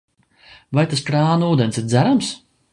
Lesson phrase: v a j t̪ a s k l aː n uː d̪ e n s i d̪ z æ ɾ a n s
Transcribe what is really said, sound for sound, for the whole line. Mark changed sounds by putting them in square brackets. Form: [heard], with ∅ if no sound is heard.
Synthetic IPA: v a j t̪ a s k [ɾ] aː n uː d̪ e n s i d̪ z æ ɾ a [m] s